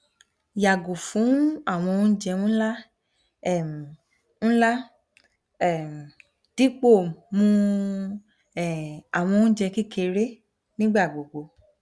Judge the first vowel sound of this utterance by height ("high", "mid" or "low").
low